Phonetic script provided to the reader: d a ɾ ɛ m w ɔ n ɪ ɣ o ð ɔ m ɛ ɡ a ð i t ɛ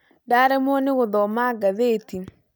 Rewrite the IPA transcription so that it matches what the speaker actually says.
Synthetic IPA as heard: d a ɾ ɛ m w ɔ n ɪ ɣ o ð ɔ m a ɡ a ð e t i